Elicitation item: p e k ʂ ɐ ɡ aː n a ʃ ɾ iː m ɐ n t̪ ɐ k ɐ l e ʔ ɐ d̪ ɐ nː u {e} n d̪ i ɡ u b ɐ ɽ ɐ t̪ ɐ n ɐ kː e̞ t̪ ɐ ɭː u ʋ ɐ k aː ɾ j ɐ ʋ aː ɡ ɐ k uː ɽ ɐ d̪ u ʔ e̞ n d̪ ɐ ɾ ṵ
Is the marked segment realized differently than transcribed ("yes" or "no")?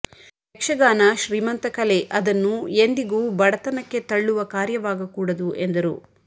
no